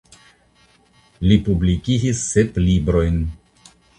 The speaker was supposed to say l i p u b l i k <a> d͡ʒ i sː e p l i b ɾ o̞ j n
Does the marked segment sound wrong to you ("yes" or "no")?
yes